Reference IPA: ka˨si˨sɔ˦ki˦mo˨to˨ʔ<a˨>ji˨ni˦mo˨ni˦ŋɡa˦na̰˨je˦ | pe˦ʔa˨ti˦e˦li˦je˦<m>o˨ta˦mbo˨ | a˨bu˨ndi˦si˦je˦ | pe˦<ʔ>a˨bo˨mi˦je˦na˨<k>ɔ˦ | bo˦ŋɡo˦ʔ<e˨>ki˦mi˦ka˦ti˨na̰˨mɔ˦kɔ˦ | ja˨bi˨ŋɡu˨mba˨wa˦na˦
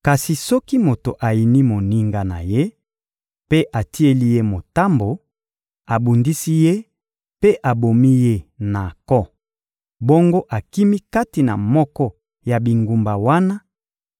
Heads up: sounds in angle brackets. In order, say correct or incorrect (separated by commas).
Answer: correct, correct, correct, correct, incorrect